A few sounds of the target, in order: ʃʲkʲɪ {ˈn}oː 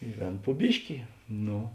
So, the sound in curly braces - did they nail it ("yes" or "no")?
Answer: yes